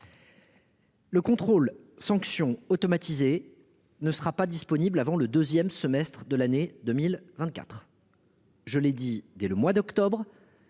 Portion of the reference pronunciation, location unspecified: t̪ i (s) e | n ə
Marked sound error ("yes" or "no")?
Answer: yes